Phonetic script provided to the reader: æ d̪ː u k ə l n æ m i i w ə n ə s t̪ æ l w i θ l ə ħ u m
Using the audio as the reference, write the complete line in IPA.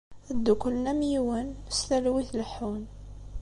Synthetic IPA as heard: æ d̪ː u k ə l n æ m j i w ə n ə s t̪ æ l w i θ l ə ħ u n